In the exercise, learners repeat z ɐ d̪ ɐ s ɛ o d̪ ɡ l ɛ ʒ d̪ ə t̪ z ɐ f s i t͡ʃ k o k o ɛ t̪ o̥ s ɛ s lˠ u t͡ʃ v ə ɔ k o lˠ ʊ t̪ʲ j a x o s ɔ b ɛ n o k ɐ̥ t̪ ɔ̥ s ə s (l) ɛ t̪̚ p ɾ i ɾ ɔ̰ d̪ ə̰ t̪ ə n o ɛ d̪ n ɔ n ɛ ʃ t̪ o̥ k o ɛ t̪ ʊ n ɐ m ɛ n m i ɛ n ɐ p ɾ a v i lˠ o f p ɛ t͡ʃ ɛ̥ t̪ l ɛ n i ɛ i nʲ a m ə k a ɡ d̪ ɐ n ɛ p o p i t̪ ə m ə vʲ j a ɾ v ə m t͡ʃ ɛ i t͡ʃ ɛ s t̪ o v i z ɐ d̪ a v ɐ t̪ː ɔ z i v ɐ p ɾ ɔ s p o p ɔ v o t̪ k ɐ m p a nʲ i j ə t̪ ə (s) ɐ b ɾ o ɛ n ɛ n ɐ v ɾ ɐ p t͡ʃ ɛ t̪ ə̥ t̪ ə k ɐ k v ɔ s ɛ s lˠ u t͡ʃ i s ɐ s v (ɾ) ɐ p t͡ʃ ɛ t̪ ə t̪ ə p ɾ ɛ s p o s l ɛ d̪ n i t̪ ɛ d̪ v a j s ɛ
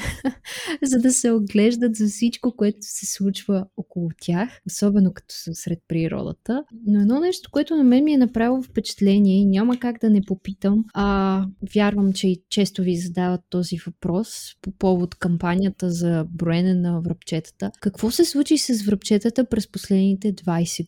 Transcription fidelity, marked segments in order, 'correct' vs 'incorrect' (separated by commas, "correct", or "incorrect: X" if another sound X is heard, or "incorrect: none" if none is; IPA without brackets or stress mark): incorrect: ɾ, incorrect: z, correct